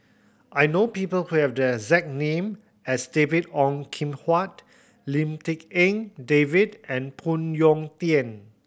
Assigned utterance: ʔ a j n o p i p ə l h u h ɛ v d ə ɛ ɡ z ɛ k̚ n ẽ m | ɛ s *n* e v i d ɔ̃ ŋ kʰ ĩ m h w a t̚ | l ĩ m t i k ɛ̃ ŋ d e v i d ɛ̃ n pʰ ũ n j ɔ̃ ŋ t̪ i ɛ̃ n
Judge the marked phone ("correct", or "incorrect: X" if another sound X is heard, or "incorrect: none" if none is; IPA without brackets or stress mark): incorrect: d